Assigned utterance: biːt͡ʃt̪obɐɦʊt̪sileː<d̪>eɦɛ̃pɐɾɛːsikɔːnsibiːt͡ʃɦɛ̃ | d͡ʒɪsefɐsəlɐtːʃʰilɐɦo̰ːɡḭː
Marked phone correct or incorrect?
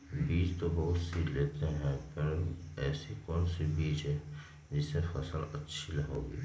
incorrect